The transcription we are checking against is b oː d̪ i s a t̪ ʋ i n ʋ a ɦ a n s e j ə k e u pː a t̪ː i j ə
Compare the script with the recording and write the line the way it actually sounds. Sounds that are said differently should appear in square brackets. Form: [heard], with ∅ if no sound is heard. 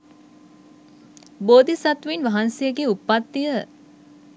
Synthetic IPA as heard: b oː d̪ i s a t̪ ʋ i n ʋ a ɦ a n s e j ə [ɡ] e u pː a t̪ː i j ə